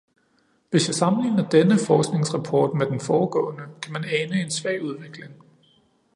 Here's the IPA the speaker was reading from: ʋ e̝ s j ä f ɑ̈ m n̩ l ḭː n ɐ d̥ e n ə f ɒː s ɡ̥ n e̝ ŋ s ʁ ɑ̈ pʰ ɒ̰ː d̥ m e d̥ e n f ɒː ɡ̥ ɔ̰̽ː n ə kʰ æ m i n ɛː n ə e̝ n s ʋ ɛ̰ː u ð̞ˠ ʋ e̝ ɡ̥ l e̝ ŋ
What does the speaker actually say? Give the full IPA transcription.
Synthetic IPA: ʋ e̝ s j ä s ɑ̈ m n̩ l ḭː n ɐ d̥ e n ə f ɒː s ɡ̥ n e̝ ŋ s ʁ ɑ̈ pʰ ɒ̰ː d̥ m e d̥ e n f ɒː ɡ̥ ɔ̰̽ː n ə kʰ æ m æ n ɛː n ə e̝ n s ʋ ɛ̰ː u ð̞ˠ ʋ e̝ ɡ̥ l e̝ ŋ

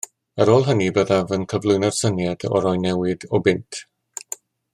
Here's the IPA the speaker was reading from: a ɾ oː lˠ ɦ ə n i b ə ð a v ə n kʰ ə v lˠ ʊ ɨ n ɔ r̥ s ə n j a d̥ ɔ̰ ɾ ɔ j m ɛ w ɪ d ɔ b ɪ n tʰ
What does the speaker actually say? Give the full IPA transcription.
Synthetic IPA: ə ɾ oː lˠ ɦ ə n i b ə ð a v ə n kʰ ə v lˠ ʊ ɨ n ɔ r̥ s ə n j a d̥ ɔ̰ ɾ ɔ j n ɛ w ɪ d ɔ b ɪ n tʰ

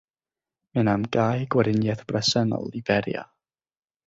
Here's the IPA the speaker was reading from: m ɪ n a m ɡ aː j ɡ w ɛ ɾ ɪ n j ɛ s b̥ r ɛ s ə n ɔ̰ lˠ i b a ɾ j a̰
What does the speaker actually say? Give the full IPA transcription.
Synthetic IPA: m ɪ n a m ɡ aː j ɡ w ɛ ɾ ɪ n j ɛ θ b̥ r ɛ s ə n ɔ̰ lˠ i b ɛ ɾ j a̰

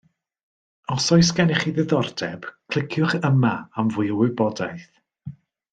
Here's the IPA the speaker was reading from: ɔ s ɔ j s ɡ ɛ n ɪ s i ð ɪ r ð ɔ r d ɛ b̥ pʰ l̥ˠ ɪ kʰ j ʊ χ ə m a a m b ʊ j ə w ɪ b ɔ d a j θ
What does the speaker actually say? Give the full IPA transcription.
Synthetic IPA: ɔ s ɔ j s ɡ ɛ n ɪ χ i ð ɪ ð ɔ r d ɛ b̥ kʰ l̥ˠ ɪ kʰ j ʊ χ ə m a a m v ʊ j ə w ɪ b ɔ d a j θ

